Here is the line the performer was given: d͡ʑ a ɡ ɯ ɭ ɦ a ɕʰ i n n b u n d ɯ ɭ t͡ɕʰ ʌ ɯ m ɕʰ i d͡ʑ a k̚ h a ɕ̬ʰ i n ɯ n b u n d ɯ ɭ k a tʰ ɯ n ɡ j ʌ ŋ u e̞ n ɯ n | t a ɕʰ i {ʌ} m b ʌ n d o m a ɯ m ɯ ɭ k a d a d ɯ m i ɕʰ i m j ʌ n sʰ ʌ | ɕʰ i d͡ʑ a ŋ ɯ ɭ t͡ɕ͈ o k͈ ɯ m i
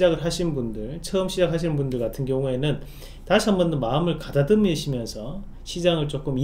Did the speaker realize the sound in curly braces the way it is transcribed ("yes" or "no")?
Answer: no